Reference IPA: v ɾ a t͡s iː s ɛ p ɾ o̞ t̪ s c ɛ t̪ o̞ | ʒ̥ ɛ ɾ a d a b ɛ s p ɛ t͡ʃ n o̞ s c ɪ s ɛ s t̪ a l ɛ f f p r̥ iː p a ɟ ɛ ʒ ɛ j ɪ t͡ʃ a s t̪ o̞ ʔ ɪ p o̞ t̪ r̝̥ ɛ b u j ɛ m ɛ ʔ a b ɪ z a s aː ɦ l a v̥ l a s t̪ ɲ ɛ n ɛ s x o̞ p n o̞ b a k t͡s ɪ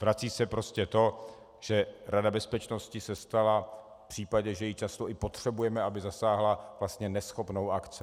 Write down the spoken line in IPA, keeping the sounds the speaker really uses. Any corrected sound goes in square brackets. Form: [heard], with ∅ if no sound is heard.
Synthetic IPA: v ɾ a t͡s iː s ɛ p ɾ o̞ [∅] s c ɛ t̪ o̞ | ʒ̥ ɛ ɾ a d a b ɛ s p ɛ t͡ʃ n o̞ s c ɪ s ɛ s t̪ a l [a] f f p r̥ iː p a ɟ ɛ ʒ ɛ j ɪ t͡ʃ a s t̪ o̞ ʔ ɪ p o̞ t̪ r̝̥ ɛ b u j ɛ m ɛ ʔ a b ɪ z a s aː ɦ l a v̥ l a s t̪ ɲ ɛ n ɛ s x o̞ p n o̞ [w] a k t͡s ɪ